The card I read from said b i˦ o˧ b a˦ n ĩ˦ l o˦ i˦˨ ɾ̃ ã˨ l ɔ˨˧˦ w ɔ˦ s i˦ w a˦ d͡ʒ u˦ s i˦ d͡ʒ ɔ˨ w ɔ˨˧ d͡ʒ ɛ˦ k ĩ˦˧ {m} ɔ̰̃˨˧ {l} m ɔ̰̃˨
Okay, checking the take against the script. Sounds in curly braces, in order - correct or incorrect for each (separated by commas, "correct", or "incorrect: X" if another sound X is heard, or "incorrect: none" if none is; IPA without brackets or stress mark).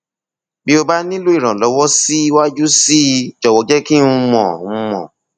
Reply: correct, incorrect: none